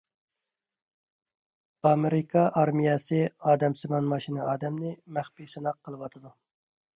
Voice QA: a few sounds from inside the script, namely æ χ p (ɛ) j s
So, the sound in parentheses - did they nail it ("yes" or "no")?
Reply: no